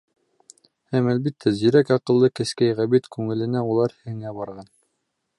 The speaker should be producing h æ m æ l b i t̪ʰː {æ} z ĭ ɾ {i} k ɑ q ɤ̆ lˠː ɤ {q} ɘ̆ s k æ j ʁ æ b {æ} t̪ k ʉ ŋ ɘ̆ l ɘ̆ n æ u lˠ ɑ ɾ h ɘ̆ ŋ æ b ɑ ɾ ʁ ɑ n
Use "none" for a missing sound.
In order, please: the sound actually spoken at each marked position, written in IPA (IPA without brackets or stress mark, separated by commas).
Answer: æ, æ, k, i